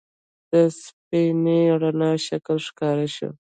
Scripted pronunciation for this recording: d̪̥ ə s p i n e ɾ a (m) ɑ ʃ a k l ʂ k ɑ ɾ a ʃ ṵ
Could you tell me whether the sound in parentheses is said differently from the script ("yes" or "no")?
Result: yes